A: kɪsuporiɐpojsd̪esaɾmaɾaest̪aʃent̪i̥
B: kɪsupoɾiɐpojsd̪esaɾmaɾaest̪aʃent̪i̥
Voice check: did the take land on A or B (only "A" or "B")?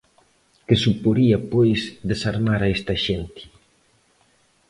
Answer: B